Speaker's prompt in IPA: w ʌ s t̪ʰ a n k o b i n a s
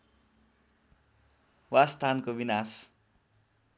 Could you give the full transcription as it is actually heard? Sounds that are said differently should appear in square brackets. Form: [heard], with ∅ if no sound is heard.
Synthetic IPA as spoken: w [a] s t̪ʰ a n k o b i n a s